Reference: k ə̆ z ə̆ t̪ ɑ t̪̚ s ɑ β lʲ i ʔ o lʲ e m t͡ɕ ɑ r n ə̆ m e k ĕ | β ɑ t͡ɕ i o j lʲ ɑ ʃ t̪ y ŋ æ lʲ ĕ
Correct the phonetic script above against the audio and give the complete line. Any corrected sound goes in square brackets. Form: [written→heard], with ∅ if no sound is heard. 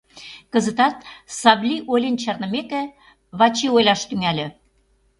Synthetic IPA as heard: k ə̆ z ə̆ t̪ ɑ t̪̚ s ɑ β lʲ i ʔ o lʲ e [m→n] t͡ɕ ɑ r n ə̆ m e k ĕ | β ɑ t͡ɕ i o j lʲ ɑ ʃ t̪ y ŋ æ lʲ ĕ